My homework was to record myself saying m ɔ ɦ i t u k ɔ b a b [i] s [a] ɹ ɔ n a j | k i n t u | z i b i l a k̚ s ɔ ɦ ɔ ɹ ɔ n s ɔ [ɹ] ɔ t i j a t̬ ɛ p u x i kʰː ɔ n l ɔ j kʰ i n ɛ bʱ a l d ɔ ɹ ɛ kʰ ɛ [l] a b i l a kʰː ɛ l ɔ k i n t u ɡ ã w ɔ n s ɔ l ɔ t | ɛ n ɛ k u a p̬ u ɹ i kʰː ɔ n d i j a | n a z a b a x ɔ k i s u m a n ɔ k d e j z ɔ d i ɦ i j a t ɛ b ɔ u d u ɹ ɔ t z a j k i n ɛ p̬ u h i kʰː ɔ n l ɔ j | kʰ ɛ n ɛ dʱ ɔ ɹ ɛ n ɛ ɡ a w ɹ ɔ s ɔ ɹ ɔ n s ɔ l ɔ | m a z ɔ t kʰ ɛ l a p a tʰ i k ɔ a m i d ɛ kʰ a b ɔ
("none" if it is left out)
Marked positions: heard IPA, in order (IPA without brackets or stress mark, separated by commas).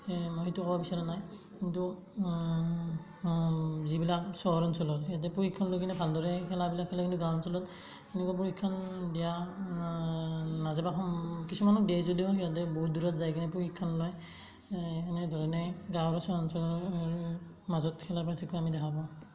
i, a, l, l